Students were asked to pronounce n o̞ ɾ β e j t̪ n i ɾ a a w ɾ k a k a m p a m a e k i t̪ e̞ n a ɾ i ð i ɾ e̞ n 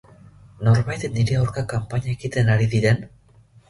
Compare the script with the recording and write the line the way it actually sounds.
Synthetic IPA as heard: n o̞ ɾ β a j t̪ n i ɾ e a w ɾ k a k a m p a ɲ a e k i t̪ e̞ n a ɾ i ð i ɾ e̞ n